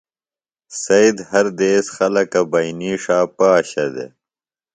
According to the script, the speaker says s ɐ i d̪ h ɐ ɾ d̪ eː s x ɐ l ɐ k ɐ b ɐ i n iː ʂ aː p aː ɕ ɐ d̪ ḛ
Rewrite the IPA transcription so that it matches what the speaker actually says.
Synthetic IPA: s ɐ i d̪ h ɐ ɾ d̪ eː s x ɐ l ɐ k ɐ b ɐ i n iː ʂ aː p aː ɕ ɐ d̪ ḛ